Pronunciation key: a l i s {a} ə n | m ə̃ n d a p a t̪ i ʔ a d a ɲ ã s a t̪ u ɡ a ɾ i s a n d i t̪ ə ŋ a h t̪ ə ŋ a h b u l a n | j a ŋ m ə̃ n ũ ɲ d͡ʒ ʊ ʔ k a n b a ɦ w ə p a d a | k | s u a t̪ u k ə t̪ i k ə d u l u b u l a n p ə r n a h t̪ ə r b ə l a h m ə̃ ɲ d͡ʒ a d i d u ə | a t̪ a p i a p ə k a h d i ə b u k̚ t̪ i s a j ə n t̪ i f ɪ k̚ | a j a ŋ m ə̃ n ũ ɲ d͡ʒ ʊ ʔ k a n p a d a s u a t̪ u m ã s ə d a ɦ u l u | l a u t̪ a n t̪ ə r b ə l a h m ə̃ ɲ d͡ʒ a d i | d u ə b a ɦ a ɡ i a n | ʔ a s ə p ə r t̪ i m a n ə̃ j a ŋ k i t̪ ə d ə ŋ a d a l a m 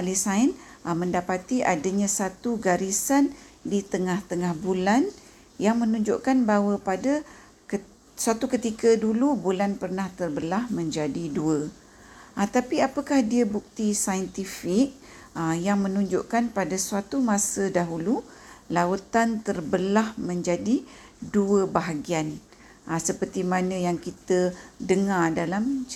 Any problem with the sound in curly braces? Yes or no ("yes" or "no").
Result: no